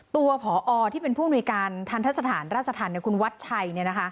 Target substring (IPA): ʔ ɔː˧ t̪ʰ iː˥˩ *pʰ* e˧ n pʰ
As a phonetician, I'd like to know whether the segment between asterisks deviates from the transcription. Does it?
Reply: yes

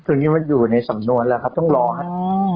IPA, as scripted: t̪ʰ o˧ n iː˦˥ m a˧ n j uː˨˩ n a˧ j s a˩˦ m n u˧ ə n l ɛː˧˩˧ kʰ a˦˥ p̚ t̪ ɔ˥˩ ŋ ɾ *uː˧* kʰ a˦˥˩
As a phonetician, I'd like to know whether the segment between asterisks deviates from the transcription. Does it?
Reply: yes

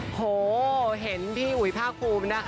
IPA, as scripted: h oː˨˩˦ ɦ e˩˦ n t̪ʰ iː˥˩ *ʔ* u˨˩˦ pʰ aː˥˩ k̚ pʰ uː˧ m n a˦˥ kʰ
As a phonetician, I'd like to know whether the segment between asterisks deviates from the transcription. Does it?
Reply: no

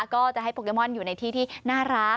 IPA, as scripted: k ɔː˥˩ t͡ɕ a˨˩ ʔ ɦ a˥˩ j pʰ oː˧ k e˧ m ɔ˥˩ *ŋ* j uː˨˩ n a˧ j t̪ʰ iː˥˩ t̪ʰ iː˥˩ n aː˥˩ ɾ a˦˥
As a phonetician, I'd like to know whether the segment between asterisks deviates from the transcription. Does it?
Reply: yes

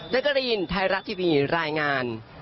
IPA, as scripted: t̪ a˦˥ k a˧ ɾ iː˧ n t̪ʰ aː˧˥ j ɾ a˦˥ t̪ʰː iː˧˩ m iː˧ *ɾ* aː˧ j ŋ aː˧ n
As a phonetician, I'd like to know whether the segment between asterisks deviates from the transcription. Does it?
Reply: no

